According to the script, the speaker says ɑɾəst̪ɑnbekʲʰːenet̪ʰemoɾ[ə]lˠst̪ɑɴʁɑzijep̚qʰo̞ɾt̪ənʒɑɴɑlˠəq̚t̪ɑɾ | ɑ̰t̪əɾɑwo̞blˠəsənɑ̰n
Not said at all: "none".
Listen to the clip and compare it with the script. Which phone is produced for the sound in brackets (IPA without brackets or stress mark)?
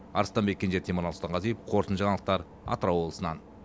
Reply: ɑ